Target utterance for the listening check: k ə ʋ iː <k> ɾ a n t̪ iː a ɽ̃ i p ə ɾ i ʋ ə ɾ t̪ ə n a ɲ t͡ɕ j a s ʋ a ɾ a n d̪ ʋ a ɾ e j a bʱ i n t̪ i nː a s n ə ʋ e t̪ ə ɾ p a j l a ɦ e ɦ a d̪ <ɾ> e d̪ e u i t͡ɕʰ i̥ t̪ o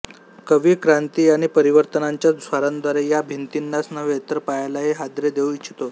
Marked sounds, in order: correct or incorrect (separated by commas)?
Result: correct, correct